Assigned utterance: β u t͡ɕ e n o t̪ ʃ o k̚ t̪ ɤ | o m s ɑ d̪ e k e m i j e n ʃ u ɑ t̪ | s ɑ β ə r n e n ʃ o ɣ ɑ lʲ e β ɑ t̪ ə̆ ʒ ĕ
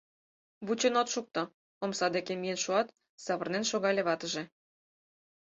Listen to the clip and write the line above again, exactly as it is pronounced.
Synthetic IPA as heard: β u t͡ɕ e n o t̪ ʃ u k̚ t̪ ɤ | o m s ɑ d̪ e k e m i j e n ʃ u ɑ t̪ | s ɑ β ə r n e n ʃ o ɣ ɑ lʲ e β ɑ t̪ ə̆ ʒ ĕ